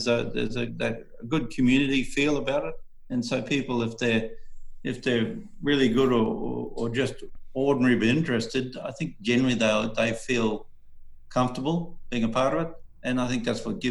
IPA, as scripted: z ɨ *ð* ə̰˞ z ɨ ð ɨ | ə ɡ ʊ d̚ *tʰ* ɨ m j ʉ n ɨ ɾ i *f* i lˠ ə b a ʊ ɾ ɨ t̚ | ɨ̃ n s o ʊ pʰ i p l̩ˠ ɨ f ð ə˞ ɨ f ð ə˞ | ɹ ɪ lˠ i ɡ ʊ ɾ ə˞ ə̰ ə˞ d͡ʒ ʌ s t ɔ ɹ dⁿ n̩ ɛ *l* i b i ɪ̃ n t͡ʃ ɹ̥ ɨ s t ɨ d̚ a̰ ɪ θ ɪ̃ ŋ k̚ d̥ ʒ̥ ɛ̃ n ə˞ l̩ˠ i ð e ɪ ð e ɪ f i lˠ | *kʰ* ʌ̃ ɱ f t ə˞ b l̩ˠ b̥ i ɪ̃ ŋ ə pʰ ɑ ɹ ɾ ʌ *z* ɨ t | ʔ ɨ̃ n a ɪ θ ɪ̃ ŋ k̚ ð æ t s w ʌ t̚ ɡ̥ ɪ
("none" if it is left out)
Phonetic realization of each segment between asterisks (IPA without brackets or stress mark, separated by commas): ð, kʰ, f, ɹ, kʰ, v